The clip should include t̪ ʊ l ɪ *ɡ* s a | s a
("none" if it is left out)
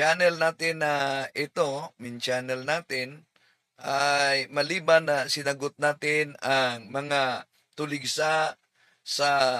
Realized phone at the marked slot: ɡ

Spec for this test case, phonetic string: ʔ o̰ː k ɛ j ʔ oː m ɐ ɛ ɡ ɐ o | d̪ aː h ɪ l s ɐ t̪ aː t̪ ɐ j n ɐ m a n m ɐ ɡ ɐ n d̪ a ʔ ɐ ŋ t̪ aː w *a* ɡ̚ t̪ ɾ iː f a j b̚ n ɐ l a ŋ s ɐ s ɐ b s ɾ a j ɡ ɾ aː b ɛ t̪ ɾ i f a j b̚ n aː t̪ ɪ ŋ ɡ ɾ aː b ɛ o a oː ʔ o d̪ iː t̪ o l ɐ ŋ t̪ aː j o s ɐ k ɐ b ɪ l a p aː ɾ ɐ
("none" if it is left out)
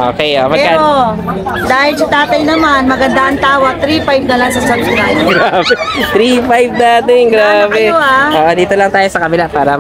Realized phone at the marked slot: ɐ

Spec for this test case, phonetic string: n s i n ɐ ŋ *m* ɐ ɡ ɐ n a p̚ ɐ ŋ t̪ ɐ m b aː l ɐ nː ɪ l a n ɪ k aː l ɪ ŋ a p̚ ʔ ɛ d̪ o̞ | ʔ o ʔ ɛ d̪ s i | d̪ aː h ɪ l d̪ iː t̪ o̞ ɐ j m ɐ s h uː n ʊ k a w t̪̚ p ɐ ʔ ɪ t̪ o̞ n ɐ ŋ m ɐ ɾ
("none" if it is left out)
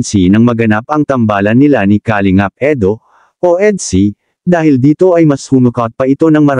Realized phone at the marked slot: m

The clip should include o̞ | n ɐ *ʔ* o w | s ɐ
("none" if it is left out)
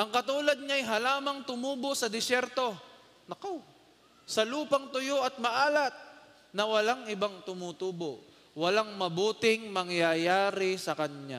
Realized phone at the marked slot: k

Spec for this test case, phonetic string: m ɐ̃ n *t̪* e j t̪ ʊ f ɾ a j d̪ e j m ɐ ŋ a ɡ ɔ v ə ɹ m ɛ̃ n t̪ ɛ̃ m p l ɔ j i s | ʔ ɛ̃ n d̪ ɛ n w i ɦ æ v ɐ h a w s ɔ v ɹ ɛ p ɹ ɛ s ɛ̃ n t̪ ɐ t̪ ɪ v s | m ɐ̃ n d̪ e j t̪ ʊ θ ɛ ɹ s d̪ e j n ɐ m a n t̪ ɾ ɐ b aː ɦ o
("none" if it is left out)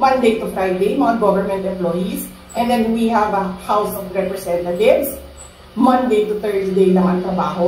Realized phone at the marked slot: d̪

